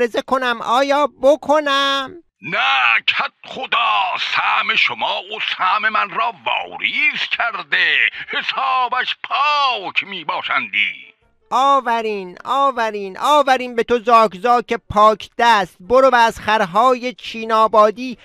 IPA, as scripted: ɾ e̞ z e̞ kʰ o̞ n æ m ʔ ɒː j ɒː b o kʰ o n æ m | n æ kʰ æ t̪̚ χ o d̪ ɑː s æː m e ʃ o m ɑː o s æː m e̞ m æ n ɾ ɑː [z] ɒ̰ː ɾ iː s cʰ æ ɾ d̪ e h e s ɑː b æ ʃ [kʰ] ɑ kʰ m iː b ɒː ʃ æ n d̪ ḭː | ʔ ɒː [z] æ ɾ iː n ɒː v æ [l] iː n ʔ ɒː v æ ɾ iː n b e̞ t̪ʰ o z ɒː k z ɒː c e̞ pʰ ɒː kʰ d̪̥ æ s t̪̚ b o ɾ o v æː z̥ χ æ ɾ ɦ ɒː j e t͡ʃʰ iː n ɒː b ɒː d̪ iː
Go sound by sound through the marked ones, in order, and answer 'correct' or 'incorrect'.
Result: incorrect, incorrect, incorrect, incorrect

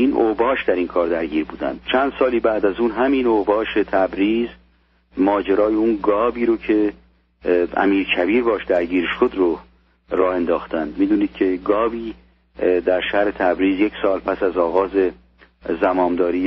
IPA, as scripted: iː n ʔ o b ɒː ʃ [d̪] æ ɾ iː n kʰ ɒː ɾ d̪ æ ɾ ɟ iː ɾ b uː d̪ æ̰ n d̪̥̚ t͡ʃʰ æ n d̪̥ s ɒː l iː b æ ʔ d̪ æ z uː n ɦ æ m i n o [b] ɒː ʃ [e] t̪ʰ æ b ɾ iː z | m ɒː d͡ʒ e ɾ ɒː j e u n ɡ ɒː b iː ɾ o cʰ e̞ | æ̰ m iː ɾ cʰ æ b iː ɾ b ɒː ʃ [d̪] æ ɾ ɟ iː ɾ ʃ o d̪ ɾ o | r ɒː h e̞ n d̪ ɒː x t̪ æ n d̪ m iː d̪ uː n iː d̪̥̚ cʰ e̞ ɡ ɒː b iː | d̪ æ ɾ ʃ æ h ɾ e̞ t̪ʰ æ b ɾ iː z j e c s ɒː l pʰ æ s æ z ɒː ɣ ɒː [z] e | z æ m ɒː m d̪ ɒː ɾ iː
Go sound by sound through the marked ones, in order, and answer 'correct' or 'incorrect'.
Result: correct, correct, correct, correct, correct

